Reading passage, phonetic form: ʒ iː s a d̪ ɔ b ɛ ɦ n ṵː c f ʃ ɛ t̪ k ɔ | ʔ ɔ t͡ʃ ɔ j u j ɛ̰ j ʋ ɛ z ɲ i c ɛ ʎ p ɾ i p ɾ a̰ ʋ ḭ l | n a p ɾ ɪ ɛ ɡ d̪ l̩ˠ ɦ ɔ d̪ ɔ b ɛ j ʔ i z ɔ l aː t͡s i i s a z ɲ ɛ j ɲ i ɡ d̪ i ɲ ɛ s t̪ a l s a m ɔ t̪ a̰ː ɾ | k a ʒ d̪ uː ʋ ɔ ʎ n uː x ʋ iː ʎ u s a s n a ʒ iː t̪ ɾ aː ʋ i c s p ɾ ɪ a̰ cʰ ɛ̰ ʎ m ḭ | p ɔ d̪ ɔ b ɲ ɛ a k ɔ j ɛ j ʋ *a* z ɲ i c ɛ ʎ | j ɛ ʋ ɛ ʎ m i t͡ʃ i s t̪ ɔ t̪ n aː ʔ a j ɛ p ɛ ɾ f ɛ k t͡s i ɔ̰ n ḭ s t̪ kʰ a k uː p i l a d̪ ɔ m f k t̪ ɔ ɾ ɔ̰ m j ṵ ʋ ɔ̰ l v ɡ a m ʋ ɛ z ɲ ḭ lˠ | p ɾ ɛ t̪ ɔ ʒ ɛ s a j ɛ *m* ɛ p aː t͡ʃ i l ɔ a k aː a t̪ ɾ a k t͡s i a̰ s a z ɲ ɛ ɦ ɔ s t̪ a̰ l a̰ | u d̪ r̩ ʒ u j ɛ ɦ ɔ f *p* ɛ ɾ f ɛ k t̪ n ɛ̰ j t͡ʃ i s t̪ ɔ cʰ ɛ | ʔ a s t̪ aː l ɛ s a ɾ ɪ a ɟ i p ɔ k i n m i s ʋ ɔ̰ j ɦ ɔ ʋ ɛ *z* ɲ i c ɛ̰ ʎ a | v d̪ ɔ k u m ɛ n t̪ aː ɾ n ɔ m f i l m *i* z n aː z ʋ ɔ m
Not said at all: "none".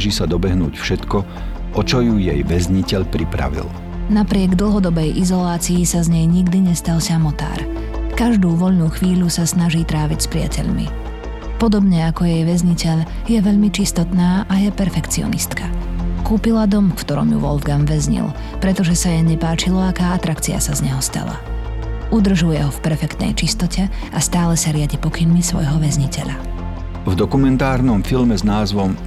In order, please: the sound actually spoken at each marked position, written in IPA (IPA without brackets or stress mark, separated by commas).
ɛ, ɲ, p, z, ɛ